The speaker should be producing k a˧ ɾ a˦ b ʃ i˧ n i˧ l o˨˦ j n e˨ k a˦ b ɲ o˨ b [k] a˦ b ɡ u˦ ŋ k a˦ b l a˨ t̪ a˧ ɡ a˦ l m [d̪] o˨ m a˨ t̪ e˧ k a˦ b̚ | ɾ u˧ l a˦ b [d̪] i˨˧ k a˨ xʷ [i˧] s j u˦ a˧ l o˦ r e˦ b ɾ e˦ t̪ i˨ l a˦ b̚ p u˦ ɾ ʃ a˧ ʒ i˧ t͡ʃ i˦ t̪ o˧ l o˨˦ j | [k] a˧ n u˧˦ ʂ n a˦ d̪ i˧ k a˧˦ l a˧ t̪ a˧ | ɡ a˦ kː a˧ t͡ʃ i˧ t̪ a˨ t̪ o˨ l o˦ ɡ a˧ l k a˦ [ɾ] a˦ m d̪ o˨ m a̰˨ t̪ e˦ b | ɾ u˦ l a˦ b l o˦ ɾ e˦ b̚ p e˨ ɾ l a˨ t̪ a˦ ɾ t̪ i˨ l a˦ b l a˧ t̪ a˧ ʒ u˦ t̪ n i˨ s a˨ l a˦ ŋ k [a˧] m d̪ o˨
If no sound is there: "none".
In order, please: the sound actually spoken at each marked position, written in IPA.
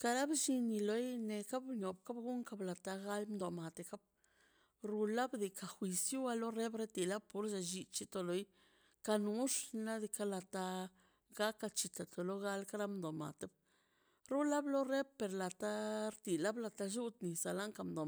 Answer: k, d̪, d̪, i˧, k, ɾ, a˧

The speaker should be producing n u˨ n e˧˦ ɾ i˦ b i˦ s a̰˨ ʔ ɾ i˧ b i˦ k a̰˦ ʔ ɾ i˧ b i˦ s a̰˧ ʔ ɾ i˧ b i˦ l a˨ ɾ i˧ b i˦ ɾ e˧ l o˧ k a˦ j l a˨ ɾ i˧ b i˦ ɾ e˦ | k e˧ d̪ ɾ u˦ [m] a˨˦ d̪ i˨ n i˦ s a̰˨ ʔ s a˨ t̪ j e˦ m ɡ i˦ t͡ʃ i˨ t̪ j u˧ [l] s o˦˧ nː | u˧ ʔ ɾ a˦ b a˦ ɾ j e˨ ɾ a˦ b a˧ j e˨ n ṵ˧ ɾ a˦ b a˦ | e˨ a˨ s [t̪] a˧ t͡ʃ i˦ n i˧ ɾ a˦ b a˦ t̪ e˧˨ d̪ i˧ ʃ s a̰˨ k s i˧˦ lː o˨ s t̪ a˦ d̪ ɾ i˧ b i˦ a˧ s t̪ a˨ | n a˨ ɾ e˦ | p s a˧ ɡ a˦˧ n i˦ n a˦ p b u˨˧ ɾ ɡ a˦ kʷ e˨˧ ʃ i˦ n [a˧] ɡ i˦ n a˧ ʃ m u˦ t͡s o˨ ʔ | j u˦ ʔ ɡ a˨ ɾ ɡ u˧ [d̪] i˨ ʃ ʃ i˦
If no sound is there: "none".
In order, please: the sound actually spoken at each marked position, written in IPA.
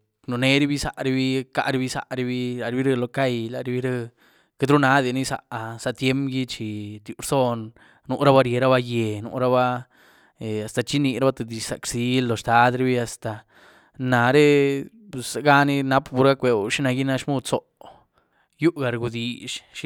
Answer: n, ɾ, t̪, a˧, d̪

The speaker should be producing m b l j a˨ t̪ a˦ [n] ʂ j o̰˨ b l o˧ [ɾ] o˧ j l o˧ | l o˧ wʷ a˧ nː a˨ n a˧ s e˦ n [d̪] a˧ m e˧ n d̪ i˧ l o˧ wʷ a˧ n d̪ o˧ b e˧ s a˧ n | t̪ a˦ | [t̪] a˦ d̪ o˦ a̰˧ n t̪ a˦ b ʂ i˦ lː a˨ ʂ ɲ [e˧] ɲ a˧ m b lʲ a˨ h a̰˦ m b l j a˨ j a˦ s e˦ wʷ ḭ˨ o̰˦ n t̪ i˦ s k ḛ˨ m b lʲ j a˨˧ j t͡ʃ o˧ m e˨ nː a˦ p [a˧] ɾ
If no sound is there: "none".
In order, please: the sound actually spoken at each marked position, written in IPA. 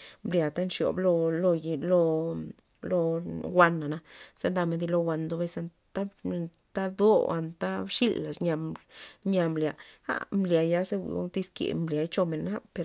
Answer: n, l, d̪, t̪, a˧, e˧

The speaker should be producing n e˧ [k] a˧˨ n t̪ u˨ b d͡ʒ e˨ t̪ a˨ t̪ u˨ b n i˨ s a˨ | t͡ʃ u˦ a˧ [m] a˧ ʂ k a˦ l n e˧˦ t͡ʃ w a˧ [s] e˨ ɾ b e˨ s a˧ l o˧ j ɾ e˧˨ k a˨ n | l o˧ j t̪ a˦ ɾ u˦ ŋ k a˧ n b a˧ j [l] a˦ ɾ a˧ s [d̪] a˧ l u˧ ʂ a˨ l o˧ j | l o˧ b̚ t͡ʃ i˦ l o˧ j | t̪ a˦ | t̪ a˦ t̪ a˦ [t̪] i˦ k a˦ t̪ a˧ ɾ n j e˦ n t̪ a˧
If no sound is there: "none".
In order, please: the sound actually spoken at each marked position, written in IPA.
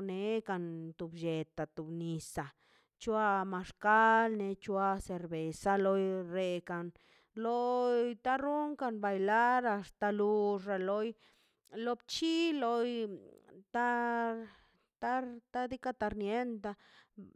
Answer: k, m, s, l, t̪, d̪

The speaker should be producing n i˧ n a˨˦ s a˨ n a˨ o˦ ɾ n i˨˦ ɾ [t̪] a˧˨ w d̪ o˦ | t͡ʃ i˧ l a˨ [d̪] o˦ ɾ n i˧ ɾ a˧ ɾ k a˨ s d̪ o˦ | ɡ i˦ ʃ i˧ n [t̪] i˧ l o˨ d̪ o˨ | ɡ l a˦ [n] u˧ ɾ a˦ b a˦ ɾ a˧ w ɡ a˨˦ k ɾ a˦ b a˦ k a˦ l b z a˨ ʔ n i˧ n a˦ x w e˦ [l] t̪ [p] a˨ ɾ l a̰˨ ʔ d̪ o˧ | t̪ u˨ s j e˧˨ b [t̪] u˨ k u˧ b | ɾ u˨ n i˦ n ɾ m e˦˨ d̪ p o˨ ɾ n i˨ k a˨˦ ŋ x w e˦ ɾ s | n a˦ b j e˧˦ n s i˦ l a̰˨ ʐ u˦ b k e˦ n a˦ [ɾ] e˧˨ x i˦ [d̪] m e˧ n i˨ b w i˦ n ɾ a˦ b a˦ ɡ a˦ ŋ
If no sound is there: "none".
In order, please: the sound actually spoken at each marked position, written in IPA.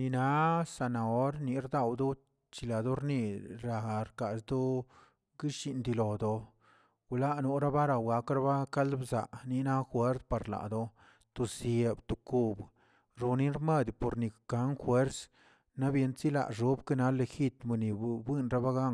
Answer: d̪, d̪, d̪, n, ɾ, p, t̪, l, t̪

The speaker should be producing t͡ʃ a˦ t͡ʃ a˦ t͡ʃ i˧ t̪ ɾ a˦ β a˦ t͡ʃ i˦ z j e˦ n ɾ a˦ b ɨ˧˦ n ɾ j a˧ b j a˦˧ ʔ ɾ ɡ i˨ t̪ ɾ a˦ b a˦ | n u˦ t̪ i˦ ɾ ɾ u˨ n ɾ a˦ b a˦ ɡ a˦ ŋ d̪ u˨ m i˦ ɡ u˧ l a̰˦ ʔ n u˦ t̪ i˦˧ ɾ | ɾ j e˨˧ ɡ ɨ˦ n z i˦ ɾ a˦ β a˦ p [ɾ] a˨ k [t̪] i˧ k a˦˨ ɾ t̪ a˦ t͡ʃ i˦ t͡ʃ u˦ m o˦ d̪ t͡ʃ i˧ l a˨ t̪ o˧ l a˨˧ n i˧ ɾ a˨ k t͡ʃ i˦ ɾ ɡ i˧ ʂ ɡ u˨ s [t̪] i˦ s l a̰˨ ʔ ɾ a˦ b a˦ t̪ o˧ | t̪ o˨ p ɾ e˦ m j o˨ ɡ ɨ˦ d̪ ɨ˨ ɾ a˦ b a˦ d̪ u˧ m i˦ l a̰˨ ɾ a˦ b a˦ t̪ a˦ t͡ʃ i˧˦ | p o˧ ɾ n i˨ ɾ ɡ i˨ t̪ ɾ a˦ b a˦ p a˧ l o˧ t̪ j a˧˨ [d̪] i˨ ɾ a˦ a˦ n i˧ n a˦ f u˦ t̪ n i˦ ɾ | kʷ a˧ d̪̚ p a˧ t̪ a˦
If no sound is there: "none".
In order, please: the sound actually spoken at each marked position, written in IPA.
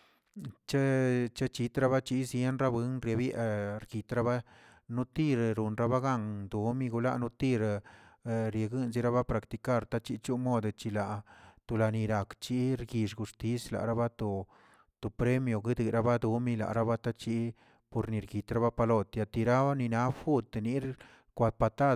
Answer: ɾ, t̪, t̪, t̪

